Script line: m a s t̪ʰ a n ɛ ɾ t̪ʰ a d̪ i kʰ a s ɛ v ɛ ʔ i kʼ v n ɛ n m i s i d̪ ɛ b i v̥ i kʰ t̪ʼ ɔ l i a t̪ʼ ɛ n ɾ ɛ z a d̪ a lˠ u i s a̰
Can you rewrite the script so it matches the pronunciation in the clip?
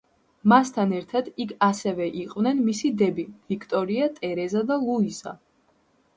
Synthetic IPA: m a s t̪ʰ a n ɛ ɾ t̪ʰ a d̪ i kʰ a s ɛ v ɛ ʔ i qʼ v n ɛ n m i s i d̪ ɛ b i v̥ i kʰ t̪ʼ ɔ ɾ i a t̪ʼ ɛ ɾ ɛ z a d̪ a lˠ u i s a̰

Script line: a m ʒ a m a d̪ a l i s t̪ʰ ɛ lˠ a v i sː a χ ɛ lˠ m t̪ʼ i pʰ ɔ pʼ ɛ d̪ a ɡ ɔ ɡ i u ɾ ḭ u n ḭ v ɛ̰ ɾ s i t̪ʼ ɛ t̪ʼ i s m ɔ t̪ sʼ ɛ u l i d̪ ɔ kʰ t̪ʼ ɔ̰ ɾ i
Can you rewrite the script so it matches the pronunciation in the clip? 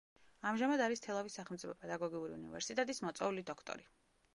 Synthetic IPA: a m ʒ a m a d̪ a ɾ i s t̪ʰ ɛ lˠ a v i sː a χ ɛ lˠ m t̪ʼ i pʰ ɔ pʼ ɛ d̪ a ɡ ɔ ɡ i u ɾ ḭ u n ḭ v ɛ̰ ɾ s i t̪ʼ ɛ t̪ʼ i s m ɔ t̪ sʼ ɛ u l i d̪ ɔ kʰ t̪ʼ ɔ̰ ɾ i

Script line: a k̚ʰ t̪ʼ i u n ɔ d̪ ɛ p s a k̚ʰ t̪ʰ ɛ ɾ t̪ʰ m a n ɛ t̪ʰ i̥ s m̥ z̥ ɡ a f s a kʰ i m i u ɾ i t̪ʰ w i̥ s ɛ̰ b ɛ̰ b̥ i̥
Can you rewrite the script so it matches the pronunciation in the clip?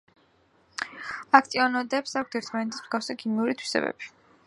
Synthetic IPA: a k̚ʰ t̪ʼ i ɔ n ɔ d̪ ɛ p s a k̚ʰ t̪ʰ ɛ ɾ t̪ʰ m a n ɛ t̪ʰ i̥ s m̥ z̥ ɡ a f s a kʰ i m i u ɾ i t̪ʰ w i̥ s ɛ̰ b ɛ̰ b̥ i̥

